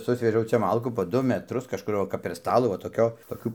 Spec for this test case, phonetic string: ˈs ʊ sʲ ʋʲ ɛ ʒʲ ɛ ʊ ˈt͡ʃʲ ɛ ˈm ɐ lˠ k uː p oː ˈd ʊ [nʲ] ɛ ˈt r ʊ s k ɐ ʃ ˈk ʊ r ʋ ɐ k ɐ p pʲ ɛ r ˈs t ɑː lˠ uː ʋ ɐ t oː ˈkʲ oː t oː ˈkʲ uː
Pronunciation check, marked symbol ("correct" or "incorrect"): incorrect